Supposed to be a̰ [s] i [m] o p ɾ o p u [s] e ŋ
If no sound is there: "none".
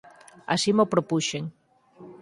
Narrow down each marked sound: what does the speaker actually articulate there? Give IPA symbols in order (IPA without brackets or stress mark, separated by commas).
s, m, ʃ